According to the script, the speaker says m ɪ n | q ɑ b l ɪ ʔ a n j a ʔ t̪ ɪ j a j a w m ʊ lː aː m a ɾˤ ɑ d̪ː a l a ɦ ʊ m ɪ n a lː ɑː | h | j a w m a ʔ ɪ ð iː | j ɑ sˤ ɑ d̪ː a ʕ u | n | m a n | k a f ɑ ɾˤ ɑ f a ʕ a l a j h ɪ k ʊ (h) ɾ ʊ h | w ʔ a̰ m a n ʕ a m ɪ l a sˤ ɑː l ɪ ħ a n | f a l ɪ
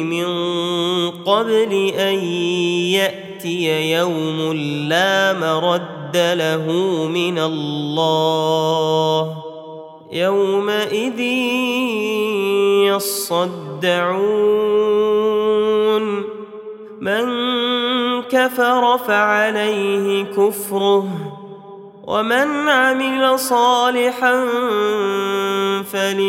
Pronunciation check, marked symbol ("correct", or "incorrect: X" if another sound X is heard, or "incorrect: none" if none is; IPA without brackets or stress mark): incorrect: f